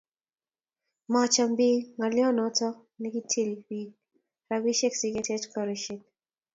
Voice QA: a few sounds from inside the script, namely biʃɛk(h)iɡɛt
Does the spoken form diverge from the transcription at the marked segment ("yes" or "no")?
yes